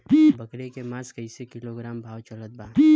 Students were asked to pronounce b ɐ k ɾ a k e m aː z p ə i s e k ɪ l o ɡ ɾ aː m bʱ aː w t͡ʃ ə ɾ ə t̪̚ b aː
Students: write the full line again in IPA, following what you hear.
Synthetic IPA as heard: b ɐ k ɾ e k e m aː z k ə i s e k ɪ l o ɡ ɾ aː m bʱ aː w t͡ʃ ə l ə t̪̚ b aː